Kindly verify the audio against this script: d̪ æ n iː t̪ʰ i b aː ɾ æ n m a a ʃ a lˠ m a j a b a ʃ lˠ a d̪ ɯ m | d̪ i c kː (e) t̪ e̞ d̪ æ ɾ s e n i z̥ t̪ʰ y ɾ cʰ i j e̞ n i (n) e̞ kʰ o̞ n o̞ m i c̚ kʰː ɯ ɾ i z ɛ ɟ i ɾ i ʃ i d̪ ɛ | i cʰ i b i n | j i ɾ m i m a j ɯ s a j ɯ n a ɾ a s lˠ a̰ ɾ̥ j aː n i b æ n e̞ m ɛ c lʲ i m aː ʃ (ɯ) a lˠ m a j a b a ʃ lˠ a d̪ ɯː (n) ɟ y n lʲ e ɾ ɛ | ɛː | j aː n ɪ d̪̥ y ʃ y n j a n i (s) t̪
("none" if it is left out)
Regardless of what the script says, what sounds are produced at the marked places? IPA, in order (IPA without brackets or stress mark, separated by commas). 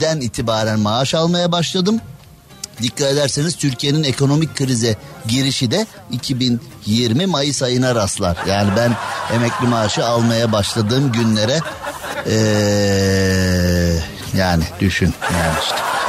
a, n, ɯ, m, ʃ